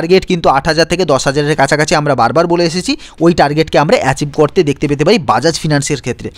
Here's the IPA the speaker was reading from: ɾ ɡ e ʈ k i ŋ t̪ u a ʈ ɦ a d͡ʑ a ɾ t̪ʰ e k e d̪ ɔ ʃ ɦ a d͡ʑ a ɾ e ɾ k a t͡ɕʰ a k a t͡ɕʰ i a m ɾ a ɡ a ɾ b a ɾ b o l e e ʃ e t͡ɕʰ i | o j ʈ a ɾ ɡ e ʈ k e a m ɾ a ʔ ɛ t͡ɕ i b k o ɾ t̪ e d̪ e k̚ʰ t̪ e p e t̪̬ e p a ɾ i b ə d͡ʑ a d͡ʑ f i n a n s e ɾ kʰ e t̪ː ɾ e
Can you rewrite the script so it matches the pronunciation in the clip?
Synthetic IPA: ɾ ɡ e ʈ k i n t̪ u a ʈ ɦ a d͡ʑ a ɾ t̪ʰ e k e d̪ ɔ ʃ ɦ a d͡ʑ a ɾ e ɾ k a t͡ɕʰ a k a t͡ɕʰ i a m ɾ a b a ɾ b a ɾ b o l e e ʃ e t͡ɕʰ i | o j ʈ a ɾ ɡ e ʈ k e a m ɾ a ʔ ɛ t͡ɕ i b k o ɾ t̪ e d̪ e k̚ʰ t̪ e p e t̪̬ e p a ɾ i b a d͡ʑ a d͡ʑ f i n a n s e ɾ kʰ e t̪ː ɾ e